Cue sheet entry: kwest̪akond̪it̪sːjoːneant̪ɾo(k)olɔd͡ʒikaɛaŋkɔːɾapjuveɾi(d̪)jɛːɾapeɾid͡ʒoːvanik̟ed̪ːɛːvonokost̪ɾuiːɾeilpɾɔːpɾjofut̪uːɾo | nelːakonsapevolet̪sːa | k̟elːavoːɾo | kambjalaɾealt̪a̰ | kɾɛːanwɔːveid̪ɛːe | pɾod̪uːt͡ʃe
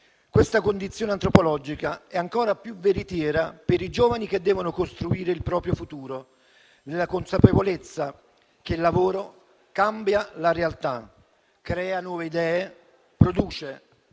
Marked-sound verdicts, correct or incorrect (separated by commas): incorrect, incorrect